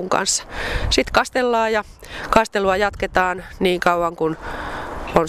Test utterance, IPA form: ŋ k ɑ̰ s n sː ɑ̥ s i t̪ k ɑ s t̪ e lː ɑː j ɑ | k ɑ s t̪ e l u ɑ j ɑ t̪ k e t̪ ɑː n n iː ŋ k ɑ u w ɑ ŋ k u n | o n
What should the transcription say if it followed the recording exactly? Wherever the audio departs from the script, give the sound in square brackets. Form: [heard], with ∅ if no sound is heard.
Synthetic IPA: ŋ k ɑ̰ [∅] n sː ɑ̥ s i t̪ k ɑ s t̪ e lː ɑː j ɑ | k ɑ s t̪ e l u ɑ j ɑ t̪ k e t̪ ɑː n n iː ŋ k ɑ u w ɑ ŋ k u n | o n